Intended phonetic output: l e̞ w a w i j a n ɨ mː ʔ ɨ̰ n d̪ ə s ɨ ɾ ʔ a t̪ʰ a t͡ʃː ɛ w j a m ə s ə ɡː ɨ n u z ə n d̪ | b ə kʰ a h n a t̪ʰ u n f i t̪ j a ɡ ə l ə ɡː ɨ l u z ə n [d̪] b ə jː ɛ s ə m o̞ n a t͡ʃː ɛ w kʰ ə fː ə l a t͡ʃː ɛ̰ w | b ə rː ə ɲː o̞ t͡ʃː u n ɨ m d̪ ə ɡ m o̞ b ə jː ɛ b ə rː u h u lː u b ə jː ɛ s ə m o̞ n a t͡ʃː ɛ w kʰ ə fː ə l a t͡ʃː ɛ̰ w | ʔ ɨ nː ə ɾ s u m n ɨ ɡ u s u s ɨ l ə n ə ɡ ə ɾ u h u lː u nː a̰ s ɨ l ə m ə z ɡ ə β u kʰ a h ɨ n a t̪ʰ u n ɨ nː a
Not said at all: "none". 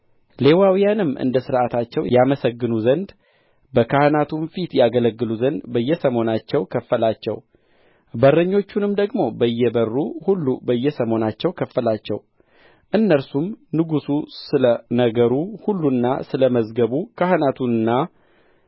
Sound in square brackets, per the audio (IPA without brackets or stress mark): d̪